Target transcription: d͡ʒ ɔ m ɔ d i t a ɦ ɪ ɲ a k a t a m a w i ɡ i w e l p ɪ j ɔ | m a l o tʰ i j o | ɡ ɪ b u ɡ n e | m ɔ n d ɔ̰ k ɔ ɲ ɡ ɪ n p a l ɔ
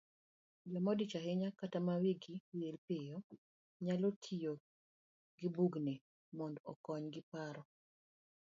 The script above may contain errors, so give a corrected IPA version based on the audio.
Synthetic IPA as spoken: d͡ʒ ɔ m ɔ d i t͡ʃ a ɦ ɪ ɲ a k a t a m a w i ɡ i w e l p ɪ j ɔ | ɲ a l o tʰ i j o | ɡ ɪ b u ɡ n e | m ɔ n d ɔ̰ k ɔ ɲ ɡ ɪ p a ɾ ɔ

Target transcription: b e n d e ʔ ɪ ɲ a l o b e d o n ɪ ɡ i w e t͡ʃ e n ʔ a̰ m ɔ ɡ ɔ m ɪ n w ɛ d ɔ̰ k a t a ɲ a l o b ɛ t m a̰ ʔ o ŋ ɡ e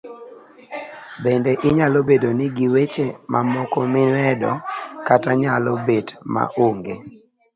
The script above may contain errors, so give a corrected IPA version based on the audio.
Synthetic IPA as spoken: b e n d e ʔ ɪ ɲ a l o b e d o n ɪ ɡ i w e t͡ʃ e m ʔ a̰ m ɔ k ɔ m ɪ n w ɛ d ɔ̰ k a t a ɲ a l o b e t m a̰ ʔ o ŋ ɡ e

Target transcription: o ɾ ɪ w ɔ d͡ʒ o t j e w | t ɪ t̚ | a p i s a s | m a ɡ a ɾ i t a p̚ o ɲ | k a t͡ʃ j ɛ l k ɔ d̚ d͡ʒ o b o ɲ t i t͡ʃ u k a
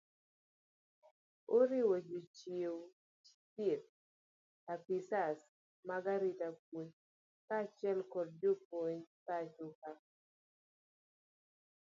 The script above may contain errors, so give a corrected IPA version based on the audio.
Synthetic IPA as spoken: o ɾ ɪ w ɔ d͡ʒ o t͡ʃ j e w | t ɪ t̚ | a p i s a s | m a ɡ a ɾ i t a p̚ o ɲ | k a t͡ʃ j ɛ l k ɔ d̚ d͡ʒ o p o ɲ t a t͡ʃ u k a

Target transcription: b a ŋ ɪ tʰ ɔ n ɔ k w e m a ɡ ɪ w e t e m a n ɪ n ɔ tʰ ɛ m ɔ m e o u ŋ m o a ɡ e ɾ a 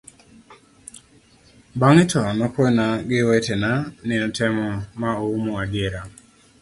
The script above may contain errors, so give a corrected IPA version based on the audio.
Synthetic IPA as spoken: b a ŋ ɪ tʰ ɔ n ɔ k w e n a ɡ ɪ w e t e n a n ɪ n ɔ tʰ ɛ m ɔ m a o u m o a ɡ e ɾ a

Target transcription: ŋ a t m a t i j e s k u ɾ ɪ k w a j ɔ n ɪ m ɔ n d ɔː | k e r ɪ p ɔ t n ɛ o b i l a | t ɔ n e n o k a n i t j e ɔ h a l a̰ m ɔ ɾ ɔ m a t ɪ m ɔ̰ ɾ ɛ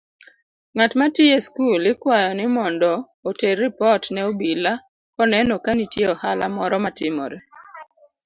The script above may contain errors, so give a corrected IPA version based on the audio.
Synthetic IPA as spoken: ŋ a t m a t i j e s k u l ɪ k w a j ɔ n ɪ m ɔ n d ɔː | t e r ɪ p ɔ t n ɛ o b i l a | k ɔ n ɛ n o k a n i t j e ɔ h a l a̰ m ɔ ɾ ɔ m a t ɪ m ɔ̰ ɾ ɛ

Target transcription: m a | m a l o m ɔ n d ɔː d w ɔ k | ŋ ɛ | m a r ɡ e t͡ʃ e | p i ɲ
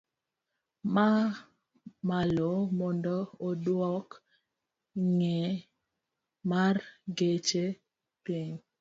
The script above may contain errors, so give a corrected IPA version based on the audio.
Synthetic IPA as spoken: m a | m a l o m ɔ n d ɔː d w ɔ k | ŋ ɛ | m a r ɡ e t͡ʃ e | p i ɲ

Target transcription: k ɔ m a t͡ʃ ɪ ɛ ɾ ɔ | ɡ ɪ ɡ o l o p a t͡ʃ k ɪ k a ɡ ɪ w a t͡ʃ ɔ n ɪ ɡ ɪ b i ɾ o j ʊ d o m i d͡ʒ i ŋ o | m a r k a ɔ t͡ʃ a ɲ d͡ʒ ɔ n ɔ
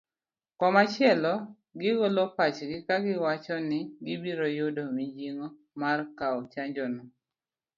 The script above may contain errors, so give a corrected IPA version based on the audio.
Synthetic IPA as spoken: k ɔ m a t͡ʃ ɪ ɛ l ɔ | ɡ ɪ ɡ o l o p a t͡ʃ ɡ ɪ k a ɡ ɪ w a t͡ʃ ɔ n ɪ ɡ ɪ b i ɾ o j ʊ d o m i d͡ʒ i ŋ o | m a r k a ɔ t͡ʃ a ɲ d͡ʒ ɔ n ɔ

